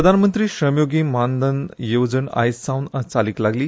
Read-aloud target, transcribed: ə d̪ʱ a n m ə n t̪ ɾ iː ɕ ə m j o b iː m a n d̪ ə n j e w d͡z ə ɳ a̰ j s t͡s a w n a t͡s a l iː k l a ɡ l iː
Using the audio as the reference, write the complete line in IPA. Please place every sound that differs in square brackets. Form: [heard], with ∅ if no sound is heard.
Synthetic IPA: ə d̪ʱ a n m ə n t̪ ɾ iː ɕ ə m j o [ɡ] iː m a n d̪ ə n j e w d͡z ə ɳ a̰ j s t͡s a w n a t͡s a l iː k l a ɡ l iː